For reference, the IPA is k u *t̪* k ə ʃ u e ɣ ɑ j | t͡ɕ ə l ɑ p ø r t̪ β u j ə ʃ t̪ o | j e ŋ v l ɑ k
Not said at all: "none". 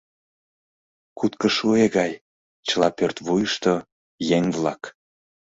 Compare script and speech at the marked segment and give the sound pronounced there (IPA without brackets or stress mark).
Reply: t̪